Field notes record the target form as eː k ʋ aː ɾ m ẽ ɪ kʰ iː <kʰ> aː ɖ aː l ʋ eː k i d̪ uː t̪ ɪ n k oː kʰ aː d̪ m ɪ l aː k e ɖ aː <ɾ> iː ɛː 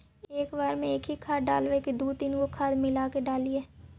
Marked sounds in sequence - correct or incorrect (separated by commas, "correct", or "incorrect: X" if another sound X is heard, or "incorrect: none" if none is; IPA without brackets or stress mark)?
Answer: correct, incorrect: l